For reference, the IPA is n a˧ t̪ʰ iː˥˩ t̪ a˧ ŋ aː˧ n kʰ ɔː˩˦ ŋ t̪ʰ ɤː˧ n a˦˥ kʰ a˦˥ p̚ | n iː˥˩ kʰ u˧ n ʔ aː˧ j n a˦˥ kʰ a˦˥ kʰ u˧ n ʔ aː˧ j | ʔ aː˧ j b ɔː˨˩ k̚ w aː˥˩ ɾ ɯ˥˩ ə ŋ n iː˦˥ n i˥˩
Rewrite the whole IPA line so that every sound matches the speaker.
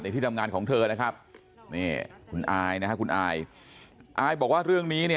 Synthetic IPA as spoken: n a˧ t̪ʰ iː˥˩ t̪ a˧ ŋ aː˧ n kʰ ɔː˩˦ ŋ t̪ʰ ɤː˧ n a˦˥ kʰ a˦˥ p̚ | n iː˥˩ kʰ u˧ n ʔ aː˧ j n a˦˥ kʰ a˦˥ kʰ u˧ n ʔ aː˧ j | ʔ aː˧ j b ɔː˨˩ k̚ w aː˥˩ ɾ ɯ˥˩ ə ŋ n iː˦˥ n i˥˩